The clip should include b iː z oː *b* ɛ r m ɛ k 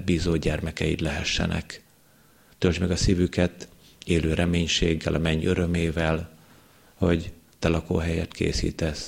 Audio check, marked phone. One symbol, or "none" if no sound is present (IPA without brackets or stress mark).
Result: ɟ